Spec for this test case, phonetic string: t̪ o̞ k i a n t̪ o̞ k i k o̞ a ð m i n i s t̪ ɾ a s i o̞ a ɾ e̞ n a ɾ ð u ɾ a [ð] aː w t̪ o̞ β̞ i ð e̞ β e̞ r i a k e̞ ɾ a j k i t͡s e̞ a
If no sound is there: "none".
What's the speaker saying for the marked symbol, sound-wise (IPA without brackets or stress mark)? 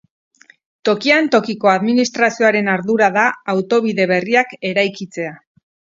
ð